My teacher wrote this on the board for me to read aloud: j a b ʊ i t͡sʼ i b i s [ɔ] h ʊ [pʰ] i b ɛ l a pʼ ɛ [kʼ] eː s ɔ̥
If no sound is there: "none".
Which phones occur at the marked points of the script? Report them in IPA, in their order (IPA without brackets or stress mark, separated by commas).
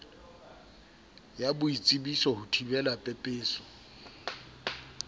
ɔ, tʰ, pʼ